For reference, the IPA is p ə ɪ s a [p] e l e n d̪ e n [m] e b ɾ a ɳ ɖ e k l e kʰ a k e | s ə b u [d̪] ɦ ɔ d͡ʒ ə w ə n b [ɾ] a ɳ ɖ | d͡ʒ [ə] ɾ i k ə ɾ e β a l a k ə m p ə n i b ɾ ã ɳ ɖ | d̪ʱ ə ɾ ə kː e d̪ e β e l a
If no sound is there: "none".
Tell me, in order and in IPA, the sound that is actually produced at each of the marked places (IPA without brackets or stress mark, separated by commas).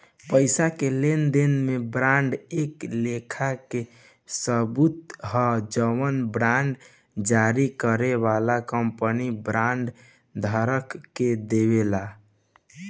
k, m, t̪, ɾ, a